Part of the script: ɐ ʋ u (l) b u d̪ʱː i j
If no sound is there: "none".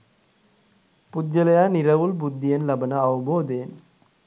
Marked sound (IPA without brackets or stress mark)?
l